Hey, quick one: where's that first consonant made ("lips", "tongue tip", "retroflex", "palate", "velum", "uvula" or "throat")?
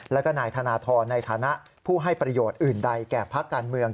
tongue tip